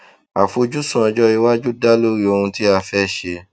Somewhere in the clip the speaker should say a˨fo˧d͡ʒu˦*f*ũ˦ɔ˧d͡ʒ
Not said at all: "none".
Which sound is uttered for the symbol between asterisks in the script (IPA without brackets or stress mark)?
s